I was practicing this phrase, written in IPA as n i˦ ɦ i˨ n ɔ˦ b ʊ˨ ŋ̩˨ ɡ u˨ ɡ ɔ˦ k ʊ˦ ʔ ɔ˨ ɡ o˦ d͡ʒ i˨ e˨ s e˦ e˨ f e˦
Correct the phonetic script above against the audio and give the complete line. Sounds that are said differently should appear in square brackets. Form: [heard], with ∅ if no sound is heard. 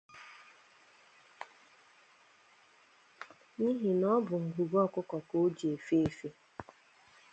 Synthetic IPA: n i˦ ɦ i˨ n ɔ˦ b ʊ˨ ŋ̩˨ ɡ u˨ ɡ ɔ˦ k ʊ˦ [k] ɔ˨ [k] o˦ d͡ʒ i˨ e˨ [f] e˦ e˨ f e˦